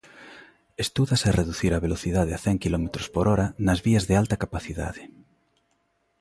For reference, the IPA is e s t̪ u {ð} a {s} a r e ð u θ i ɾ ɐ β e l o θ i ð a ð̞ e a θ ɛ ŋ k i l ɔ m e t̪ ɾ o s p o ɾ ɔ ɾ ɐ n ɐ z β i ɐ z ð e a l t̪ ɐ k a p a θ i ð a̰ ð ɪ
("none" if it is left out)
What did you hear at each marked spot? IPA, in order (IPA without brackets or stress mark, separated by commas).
ð, s